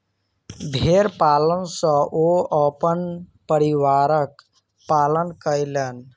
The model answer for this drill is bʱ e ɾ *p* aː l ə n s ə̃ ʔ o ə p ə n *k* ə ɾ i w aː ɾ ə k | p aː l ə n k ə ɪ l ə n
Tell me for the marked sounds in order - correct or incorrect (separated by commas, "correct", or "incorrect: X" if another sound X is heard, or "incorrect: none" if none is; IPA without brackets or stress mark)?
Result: correct, incorrect: p